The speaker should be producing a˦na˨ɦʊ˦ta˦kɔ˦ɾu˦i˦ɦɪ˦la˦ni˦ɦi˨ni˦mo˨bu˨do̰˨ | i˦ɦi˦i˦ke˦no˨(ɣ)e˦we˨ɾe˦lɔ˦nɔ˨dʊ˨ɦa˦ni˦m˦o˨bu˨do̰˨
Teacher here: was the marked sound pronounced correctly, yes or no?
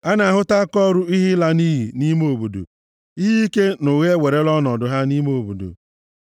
yes